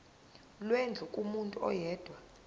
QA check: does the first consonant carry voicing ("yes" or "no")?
yes